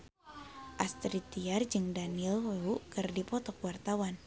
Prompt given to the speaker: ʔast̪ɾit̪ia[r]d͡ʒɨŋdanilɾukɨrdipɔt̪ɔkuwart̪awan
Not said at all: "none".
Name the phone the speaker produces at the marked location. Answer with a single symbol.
r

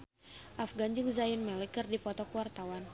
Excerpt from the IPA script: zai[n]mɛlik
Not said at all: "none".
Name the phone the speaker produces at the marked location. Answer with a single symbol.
n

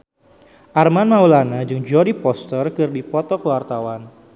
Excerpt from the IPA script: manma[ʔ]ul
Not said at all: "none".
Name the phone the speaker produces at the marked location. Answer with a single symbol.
none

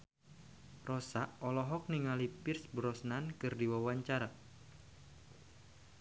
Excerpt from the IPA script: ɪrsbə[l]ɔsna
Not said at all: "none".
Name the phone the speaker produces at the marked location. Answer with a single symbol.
ɾ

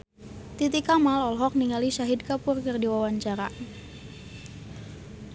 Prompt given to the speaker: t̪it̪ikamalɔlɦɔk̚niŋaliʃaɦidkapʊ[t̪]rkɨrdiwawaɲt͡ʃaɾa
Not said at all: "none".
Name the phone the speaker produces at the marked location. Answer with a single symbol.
none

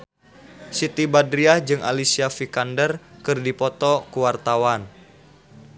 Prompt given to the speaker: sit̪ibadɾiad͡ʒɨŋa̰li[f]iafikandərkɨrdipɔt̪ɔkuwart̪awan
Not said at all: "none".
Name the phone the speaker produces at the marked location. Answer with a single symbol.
s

